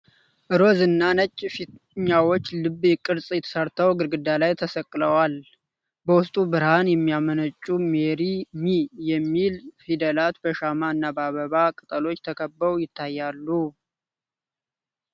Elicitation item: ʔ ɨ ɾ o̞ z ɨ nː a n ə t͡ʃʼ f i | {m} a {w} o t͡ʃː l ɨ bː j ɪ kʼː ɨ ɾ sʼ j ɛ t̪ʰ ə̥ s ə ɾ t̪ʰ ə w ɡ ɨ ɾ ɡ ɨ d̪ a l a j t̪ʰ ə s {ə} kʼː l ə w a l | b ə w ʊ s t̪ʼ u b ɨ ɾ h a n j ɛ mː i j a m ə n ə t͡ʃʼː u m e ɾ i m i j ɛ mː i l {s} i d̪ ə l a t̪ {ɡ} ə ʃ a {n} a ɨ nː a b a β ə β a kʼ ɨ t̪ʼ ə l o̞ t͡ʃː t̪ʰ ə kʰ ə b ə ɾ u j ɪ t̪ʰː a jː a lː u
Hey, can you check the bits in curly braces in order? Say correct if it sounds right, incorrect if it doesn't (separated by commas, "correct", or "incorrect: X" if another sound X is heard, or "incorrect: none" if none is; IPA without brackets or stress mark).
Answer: incorrect: ɲ, correct, correct, incorrect: f, incorrect: b, incorrect: m